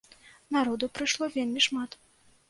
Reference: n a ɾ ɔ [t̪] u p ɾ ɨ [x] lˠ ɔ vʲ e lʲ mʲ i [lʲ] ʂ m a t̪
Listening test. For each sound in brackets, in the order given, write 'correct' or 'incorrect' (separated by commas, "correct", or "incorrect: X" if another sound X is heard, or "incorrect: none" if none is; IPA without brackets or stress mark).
incorrect: d̪, incorrect: ʂ, incorrect: none